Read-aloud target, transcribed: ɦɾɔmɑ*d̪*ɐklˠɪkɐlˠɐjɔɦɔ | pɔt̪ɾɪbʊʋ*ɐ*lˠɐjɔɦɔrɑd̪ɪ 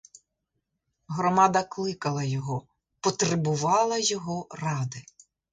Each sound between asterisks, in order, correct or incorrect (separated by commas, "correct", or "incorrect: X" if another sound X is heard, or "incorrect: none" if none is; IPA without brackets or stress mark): correct, incorrect: ɑ